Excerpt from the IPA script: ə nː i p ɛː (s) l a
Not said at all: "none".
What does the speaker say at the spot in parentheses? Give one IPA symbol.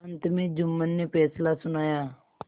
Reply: s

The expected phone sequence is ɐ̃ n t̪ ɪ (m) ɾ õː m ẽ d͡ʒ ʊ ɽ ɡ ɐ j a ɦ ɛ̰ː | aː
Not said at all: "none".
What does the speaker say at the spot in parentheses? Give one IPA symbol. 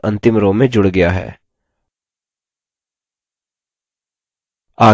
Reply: m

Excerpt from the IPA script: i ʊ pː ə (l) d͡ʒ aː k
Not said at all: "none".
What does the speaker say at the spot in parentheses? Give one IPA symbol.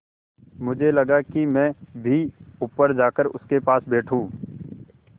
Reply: ɾ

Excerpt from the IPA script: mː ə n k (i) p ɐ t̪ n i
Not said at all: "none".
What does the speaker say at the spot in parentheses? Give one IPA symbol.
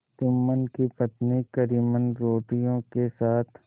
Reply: i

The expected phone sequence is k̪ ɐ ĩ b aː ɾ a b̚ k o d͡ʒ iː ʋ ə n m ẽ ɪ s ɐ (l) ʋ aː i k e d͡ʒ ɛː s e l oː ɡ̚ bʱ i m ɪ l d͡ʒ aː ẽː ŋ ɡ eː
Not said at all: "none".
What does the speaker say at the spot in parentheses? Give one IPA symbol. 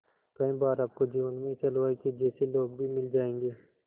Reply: l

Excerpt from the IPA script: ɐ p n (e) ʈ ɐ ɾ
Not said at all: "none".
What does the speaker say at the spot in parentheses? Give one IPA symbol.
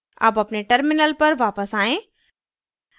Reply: e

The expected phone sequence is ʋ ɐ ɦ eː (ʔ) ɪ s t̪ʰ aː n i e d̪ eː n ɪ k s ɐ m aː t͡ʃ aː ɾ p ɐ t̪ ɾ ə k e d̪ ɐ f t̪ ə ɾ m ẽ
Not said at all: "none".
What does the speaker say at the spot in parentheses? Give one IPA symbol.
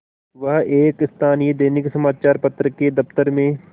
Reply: k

